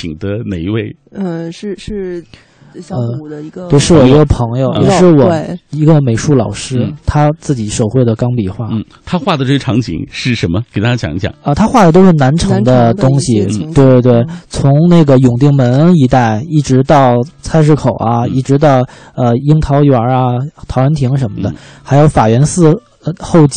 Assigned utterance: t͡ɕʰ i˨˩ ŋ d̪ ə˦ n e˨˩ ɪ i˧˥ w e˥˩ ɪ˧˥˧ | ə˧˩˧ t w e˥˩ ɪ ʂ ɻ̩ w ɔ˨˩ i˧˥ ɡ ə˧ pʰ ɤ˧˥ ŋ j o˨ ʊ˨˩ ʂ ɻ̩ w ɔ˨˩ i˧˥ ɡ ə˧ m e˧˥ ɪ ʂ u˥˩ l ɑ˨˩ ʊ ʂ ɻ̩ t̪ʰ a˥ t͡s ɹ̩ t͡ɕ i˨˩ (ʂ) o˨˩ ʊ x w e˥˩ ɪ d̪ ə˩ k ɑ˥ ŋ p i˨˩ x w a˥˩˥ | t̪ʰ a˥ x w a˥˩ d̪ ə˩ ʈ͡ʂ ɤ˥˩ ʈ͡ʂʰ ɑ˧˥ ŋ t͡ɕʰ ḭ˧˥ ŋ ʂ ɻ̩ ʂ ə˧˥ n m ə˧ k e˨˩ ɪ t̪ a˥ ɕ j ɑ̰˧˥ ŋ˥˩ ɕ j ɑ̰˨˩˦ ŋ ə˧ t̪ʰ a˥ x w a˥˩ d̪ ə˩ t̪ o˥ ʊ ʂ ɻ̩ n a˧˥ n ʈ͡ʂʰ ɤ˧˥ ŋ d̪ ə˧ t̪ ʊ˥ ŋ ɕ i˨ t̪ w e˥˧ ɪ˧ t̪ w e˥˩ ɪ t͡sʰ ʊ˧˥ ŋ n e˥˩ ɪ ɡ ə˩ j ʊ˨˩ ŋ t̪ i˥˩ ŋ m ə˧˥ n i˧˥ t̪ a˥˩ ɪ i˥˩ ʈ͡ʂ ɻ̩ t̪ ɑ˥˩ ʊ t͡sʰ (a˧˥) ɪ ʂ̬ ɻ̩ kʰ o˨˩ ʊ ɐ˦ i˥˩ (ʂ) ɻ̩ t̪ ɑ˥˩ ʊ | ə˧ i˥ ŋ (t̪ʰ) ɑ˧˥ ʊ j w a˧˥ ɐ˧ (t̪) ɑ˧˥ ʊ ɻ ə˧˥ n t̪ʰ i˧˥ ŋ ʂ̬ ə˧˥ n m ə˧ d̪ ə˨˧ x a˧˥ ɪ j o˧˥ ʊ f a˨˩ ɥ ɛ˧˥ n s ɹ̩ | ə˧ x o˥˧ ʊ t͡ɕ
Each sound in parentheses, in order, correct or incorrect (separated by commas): correct, incorrect, incorrect, correct, incorrect